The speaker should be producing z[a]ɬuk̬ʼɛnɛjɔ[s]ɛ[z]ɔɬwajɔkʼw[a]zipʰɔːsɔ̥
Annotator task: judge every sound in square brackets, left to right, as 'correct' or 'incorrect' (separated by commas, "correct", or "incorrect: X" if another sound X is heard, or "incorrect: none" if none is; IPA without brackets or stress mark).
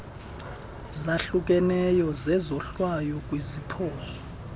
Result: correct, incorrect: z, correct, incorrect: i